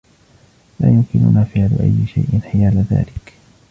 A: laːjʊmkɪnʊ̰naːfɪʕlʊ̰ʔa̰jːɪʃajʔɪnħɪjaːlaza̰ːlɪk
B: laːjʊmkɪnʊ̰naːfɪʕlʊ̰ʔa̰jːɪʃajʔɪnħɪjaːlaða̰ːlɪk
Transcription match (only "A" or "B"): B